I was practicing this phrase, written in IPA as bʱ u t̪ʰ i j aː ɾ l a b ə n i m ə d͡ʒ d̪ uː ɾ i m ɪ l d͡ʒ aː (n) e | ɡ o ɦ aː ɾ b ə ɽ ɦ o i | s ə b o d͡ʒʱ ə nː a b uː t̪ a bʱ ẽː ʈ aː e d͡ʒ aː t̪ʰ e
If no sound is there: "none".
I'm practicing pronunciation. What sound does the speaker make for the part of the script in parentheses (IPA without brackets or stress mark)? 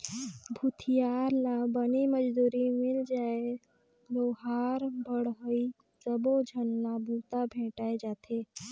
none